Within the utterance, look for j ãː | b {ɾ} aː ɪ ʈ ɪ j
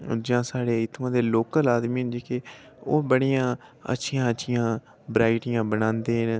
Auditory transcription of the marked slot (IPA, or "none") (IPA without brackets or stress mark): ɾ